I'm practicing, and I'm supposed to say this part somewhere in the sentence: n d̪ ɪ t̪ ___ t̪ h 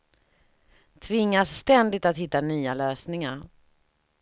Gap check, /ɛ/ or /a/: a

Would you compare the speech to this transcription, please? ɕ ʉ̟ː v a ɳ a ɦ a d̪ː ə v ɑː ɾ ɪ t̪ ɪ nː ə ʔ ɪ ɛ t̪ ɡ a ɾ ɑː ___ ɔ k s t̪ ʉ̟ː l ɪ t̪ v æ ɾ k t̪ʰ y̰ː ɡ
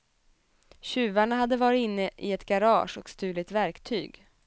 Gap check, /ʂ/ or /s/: ʂ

